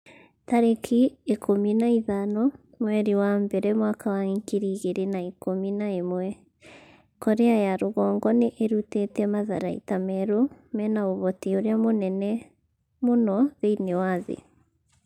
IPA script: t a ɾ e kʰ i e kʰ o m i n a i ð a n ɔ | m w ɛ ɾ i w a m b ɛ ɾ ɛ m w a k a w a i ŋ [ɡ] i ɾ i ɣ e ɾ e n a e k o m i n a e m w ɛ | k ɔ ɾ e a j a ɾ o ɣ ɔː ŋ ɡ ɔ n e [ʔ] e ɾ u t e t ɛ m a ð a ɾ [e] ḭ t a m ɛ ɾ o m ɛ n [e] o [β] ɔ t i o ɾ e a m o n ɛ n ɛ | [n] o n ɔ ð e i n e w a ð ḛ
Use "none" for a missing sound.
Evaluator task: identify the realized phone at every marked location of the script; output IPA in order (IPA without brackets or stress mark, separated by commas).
k, ʔ, a, a, β, m